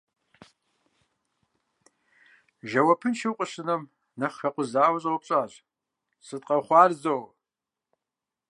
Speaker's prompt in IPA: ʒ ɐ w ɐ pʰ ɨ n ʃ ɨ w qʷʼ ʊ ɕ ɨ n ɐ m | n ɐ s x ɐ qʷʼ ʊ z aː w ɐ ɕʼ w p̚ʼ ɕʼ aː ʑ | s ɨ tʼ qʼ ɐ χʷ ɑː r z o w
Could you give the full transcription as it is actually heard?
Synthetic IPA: ʒ ɐ w ɐ pʰ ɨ n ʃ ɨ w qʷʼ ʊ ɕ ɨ n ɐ m | n ɐ χ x ɐ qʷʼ ʊ z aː w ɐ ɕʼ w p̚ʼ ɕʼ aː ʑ | s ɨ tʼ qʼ ɐ χʷ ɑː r z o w